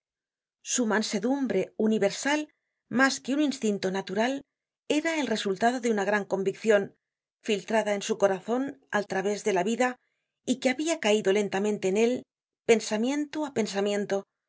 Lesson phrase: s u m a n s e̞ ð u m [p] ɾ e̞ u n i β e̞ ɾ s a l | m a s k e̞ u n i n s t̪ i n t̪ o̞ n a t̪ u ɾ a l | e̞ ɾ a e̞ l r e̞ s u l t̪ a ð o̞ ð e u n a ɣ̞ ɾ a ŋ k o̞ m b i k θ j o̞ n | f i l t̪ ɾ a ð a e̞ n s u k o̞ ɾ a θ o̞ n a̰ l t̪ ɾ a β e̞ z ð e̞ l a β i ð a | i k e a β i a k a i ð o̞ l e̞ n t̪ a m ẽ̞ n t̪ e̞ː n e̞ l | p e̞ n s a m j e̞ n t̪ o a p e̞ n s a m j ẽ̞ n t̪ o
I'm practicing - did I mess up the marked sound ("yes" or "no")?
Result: yes